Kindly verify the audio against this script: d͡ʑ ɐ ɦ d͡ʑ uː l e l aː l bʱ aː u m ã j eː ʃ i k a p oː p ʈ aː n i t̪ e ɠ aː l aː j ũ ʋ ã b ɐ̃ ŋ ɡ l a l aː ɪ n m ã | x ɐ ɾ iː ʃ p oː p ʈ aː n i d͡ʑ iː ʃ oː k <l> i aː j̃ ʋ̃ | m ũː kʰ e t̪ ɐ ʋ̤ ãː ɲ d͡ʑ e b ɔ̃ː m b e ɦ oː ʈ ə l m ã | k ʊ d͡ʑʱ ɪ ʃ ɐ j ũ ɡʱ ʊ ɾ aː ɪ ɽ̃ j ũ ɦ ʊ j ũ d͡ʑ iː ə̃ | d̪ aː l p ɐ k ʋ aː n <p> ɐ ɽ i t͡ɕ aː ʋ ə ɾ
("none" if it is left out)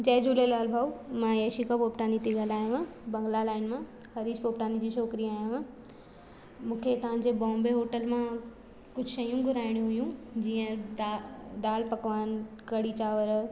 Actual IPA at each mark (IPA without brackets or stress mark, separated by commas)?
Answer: ɾ, k